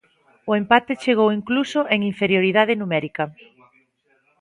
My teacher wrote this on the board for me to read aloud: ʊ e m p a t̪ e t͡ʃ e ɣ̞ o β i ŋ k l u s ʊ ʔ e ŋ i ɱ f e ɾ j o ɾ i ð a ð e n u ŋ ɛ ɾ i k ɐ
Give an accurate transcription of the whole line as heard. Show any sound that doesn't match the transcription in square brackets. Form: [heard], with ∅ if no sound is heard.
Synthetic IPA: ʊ e m p a t̪ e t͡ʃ e ɣ̞ o [w] i ŋ k l u s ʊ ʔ e ŋ i ɱ f e ɾ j o ɾ i ð a ð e n u [m] ɛ ɾ i k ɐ